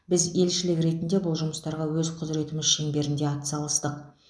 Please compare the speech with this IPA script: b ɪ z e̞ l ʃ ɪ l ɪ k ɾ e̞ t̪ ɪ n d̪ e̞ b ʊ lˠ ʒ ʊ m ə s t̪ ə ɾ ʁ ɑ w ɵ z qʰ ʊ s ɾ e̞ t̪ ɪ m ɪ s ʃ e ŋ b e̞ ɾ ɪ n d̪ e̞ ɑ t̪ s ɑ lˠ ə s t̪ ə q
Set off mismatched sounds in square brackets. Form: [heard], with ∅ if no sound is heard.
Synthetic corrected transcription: b ɪ z e̞ l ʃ ɪ l ɪ k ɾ e̞ t̪ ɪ n d̪ e̞ b ʊ lˠ ʒ ʊ m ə s t̪ [ɑ] ɾ ʁ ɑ w ɵ z qʰ ʊ [z] ɾ e̞ t̪ ɪ m ɪ [z] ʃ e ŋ b e̞ ɾ ɪ n d̪ e̞ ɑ t̪ s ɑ lˠ ə s t̪ ə q